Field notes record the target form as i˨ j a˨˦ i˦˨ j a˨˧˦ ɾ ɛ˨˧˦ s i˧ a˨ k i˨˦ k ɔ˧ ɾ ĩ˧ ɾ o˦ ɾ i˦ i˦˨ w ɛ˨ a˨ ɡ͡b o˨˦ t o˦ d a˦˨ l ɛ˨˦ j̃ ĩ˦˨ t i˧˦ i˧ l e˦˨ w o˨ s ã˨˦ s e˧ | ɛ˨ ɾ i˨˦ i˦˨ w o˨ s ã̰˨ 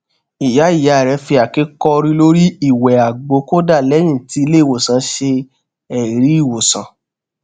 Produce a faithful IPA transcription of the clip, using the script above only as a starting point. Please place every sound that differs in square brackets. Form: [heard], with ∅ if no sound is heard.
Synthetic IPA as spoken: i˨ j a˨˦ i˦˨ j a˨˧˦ ɾ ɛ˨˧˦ [f] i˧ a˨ k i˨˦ k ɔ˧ ɾ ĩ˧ [l] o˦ ɾ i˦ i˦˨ w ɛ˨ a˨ ɡ͡b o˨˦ [k] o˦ d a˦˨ l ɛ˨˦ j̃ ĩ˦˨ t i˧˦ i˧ l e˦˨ w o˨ s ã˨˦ [ʃ] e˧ | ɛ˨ ɾ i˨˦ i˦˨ w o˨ s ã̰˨